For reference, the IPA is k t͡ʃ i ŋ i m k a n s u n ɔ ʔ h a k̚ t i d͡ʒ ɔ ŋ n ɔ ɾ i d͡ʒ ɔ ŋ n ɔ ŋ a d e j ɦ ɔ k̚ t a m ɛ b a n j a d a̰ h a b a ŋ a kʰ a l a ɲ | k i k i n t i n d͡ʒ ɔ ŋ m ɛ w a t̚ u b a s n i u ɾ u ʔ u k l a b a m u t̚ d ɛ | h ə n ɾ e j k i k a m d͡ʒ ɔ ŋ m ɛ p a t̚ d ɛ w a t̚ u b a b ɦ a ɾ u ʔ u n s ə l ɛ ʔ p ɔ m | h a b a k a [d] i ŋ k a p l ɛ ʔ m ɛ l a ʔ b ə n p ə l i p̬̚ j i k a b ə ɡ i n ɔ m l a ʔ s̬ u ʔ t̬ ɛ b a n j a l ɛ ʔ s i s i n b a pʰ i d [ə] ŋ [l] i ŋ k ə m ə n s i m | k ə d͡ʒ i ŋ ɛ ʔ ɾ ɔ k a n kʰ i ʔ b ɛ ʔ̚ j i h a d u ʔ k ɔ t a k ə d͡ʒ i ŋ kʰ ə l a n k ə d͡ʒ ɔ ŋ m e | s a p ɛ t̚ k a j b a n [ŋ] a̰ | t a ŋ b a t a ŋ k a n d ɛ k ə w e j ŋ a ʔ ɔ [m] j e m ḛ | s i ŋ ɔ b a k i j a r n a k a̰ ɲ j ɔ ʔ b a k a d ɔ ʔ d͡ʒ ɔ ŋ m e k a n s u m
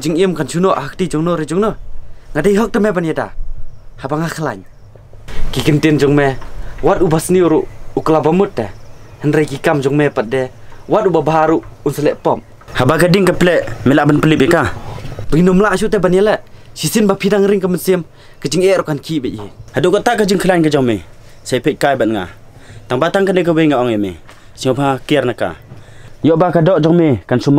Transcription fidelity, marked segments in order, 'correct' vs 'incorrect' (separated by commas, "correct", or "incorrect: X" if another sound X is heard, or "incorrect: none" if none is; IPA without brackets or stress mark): correct, incorrect: a, incorrect: ɾ, correct, incorrect: ŋ